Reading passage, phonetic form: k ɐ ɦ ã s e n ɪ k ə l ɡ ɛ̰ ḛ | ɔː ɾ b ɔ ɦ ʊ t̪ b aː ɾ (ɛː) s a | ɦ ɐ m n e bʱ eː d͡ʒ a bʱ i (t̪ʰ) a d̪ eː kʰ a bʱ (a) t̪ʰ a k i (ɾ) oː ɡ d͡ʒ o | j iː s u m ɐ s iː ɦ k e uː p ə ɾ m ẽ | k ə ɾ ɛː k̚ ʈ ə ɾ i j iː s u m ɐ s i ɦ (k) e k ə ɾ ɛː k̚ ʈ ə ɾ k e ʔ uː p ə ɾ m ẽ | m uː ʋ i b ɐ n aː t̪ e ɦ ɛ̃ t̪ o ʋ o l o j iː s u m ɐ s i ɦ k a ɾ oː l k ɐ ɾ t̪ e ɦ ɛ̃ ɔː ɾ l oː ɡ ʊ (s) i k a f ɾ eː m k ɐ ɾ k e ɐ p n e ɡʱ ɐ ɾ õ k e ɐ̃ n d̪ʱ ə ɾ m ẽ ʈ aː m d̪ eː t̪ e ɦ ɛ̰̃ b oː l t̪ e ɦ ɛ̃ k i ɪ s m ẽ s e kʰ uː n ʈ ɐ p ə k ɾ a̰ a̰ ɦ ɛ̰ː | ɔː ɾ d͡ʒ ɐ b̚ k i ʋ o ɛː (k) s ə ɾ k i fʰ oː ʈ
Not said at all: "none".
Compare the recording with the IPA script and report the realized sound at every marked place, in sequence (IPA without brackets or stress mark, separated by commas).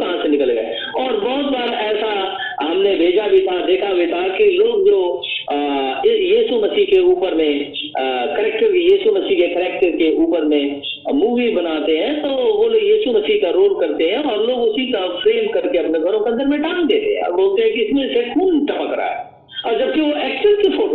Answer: ɛː, t̪ʰ, i, l, k, s, k